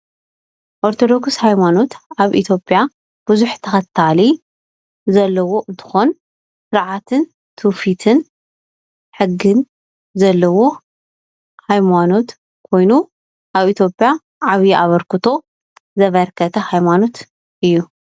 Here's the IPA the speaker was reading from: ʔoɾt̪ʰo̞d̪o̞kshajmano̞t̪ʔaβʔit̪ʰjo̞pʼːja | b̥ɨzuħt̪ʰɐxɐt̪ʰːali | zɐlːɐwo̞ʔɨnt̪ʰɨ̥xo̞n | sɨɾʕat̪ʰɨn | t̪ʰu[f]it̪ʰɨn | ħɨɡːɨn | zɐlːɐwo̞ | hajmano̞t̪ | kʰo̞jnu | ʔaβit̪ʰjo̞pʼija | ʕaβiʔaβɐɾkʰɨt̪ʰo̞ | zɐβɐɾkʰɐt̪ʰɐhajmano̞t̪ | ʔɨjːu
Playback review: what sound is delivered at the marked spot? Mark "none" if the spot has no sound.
f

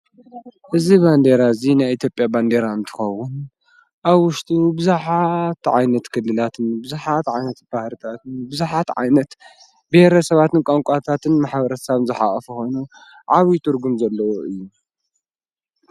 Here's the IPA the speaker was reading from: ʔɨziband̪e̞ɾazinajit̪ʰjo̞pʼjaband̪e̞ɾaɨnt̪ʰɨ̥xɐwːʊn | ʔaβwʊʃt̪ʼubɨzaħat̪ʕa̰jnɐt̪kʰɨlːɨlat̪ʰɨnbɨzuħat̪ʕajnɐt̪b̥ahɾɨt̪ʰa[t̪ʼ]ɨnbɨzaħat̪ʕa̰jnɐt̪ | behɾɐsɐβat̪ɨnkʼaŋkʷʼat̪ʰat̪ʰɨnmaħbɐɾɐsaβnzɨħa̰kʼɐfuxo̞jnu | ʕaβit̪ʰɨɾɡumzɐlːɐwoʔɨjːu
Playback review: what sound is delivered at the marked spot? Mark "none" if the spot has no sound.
t̪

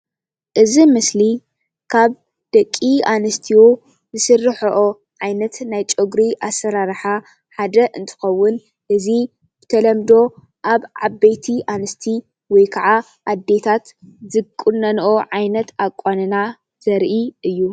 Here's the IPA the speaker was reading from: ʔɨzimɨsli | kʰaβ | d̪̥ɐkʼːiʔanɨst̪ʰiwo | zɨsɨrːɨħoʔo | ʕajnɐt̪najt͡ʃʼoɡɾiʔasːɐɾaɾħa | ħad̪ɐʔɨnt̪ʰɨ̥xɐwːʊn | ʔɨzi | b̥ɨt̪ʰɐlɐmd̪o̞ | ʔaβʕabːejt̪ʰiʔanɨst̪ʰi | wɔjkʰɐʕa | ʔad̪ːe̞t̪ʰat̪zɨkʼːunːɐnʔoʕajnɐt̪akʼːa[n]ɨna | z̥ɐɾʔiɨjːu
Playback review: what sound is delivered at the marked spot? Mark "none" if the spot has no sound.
n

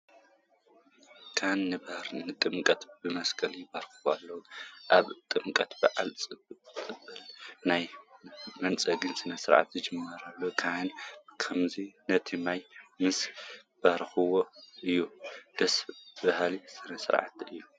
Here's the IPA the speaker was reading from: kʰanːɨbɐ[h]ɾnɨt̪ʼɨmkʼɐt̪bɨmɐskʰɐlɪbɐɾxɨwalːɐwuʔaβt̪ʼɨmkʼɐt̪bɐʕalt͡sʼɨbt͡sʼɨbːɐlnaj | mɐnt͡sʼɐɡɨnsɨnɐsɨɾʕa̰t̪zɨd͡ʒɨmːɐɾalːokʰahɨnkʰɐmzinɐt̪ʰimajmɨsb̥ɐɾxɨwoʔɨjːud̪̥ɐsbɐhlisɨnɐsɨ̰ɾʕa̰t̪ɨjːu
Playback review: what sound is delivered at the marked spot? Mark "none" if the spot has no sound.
h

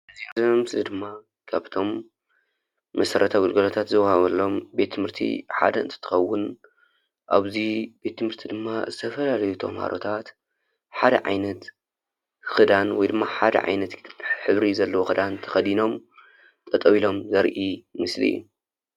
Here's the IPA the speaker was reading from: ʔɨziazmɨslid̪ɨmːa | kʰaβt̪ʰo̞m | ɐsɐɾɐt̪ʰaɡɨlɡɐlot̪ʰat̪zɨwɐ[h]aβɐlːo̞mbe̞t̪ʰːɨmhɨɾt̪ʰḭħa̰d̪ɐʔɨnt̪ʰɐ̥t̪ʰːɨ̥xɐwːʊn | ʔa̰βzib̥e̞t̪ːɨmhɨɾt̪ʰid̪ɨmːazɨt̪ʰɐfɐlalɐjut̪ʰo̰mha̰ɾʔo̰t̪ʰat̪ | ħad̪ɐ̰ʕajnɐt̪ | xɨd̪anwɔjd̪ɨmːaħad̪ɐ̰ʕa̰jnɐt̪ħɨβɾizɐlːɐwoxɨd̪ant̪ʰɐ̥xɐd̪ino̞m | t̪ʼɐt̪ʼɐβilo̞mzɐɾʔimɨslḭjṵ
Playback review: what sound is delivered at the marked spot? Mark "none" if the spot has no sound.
h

